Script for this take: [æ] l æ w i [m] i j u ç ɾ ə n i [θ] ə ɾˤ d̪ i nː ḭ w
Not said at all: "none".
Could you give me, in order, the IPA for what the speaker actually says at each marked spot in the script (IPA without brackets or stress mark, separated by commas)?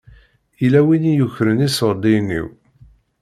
i, n, s